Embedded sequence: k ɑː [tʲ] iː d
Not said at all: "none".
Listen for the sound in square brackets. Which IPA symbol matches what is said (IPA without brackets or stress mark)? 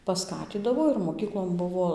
tʲ